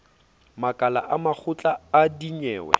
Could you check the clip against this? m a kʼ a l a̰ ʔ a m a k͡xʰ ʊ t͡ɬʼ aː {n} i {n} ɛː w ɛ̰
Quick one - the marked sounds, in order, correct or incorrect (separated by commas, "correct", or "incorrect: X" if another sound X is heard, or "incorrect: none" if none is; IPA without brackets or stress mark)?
incorrect: d, incorrect: ɲ